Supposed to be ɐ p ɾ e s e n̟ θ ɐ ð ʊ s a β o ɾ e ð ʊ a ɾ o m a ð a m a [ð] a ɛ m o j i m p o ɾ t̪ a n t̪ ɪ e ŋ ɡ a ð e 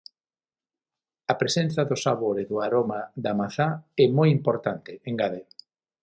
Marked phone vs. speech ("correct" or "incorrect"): incorrect